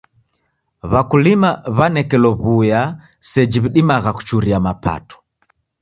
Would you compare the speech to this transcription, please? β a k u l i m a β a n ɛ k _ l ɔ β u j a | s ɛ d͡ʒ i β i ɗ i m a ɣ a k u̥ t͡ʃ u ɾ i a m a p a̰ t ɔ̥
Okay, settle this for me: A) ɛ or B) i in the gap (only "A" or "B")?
A